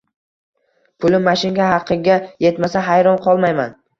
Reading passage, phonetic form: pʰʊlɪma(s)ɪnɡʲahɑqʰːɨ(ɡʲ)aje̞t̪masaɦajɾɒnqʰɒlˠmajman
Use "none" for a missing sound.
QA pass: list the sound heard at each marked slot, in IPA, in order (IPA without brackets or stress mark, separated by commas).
ʃ, ɡʲ